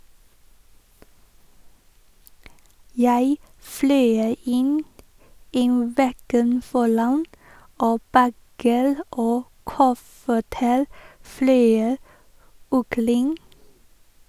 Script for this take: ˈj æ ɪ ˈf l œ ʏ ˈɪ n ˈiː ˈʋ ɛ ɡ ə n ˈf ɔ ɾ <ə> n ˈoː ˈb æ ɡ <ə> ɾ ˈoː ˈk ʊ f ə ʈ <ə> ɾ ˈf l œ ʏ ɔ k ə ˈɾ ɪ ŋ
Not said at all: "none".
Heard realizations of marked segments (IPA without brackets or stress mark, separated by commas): ɑ, ə, ə